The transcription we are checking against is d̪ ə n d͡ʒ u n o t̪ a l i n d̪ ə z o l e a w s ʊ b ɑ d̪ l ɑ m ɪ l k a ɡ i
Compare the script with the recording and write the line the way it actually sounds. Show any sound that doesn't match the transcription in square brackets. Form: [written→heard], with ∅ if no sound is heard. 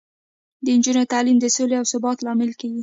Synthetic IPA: d̪ ə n d͡ʒ u n o t̪ a l i [n→m] d̪ ə [z→s] o l e a w s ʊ b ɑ [d̪→t̪] l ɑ m ɪ l k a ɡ i